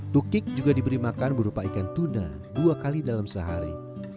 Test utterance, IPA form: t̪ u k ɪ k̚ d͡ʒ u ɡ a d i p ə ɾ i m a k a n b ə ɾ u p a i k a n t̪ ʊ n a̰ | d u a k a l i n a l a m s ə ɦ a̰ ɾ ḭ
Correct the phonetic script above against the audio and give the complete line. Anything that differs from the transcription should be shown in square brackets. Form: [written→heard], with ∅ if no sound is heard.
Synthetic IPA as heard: t̪ u k ɪ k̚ d͡ʒ u ɡ a d i [p→b] ə ɾ i m a k a n b ə ɾ u p a i k a n t̪ [ʊ→u] n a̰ | d u a k a l i [n→d] a l a m s ə ɦ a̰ ɾ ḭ